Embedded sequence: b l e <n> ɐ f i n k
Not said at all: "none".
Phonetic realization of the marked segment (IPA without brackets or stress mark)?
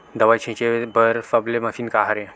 m